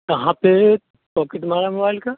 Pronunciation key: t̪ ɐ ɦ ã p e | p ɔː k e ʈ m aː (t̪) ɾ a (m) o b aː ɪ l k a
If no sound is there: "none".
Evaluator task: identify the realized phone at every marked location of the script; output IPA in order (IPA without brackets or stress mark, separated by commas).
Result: none, m